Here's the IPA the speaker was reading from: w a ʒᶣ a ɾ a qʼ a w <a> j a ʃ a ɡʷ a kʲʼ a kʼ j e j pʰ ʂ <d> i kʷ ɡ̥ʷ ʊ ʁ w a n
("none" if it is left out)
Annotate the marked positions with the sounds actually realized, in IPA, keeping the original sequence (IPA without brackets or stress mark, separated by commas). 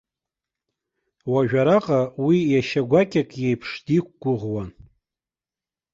i, d